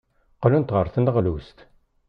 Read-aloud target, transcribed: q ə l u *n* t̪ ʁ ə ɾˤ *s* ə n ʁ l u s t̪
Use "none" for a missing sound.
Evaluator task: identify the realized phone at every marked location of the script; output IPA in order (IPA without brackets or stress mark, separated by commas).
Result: n, θ